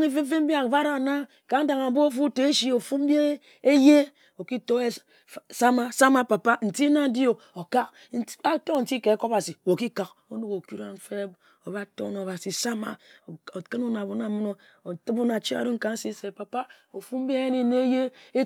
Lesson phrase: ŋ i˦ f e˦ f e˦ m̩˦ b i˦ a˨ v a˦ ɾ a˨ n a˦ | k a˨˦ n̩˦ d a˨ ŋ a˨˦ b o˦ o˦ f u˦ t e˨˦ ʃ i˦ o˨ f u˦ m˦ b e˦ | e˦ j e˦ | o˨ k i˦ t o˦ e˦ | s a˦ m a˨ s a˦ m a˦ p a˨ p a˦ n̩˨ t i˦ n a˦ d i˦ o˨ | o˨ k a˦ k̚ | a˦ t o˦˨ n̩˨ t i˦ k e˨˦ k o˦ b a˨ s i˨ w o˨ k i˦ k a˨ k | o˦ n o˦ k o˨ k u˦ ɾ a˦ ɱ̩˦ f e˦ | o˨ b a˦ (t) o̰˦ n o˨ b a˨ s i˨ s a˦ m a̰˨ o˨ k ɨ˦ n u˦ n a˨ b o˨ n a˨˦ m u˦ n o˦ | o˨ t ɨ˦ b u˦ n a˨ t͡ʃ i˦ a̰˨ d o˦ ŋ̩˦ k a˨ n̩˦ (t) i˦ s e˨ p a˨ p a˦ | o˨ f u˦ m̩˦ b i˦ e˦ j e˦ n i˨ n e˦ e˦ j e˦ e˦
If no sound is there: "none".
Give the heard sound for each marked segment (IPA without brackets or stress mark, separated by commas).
t, s